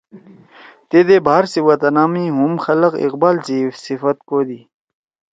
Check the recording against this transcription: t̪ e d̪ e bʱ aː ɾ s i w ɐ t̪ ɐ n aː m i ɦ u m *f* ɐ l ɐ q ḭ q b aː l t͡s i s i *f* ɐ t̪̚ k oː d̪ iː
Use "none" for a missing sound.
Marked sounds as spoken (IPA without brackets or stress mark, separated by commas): x, f